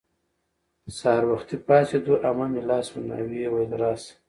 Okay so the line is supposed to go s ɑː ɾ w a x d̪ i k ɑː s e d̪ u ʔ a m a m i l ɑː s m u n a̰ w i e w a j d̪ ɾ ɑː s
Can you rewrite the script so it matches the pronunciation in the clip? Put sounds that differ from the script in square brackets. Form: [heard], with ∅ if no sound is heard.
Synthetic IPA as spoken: s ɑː ɾ w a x [t̪] i [p] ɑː s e d̪ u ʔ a m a m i l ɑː s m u n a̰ w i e w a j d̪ ɾ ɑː s